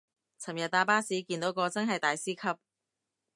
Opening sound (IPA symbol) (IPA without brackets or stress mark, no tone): t͡sʰ